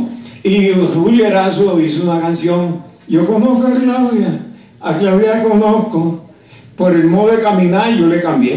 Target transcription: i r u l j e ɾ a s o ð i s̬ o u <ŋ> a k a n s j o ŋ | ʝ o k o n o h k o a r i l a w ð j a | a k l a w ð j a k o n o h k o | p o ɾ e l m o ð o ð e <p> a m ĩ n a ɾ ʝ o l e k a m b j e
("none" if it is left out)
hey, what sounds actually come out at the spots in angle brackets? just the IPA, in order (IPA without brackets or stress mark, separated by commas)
n, k